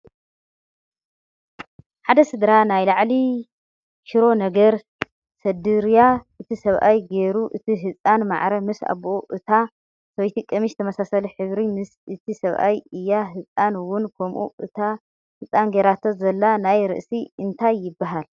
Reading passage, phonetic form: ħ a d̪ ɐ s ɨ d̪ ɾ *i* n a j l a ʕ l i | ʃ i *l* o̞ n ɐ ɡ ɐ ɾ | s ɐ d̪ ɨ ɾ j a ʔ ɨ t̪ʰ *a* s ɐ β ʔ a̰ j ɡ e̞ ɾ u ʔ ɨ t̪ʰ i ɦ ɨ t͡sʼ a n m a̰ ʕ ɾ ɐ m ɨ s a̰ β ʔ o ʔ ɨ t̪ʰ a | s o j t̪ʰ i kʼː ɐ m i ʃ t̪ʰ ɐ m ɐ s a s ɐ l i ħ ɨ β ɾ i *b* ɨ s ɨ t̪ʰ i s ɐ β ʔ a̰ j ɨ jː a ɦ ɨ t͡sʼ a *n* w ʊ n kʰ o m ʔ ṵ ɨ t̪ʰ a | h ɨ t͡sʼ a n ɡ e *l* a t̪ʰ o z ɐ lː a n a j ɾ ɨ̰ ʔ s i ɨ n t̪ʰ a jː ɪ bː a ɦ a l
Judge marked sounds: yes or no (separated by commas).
no, no, no, no, yes, no